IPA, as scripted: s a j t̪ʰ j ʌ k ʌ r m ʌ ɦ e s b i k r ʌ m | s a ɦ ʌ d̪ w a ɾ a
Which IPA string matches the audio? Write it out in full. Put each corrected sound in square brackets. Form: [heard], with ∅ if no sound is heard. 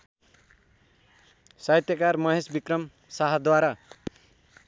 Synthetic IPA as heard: s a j [t̪] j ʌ k [a] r m ʌ ɦ e s b i k r ʌ m | s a ɦ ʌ d̪ w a ɾ a